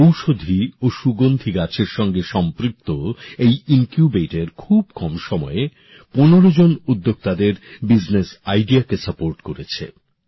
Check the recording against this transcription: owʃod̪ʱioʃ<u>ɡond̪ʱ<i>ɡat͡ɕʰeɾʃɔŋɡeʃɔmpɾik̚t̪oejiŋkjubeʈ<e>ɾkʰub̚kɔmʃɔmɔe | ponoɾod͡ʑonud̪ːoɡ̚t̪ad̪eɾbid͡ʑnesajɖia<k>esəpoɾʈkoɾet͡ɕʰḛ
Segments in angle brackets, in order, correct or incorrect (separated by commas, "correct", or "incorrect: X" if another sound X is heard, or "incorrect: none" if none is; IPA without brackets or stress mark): correct, correct, correct, correct